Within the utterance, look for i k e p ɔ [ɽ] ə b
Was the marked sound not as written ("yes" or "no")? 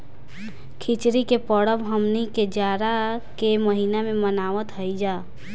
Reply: no